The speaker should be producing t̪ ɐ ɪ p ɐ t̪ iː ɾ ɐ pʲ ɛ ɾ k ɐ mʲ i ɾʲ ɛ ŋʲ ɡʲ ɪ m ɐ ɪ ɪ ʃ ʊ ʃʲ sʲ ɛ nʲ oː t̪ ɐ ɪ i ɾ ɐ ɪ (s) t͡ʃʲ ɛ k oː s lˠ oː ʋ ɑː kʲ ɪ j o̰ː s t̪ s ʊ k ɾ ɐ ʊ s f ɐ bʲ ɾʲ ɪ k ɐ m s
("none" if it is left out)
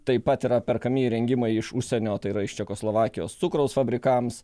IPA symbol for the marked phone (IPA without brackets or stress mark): ʃ